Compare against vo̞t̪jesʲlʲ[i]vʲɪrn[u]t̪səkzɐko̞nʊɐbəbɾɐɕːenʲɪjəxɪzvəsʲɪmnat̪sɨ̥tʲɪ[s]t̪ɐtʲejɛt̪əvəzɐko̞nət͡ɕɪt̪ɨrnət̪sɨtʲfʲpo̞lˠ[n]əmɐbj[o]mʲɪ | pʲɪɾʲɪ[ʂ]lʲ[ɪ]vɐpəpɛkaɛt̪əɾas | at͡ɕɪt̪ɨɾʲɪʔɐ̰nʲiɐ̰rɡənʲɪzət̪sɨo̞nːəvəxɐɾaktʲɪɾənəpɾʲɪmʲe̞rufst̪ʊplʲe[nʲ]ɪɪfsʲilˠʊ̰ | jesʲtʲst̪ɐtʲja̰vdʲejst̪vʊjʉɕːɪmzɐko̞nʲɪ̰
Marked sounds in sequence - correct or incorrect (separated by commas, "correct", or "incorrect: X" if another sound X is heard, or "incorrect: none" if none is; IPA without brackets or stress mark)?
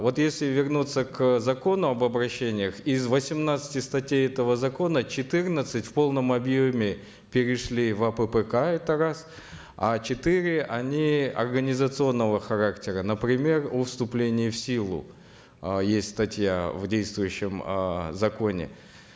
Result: incorrect: ɪ, correct, correct, correct, correct, correct, incorrect: i, correct